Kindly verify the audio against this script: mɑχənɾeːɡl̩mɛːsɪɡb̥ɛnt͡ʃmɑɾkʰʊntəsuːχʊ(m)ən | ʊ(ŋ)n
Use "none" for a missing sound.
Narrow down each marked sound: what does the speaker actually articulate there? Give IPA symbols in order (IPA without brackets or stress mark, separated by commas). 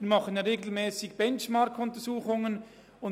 ŋ, none